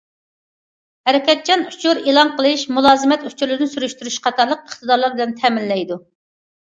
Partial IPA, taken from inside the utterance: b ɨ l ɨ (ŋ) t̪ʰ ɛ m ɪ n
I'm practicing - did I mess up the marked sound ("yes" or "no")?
yes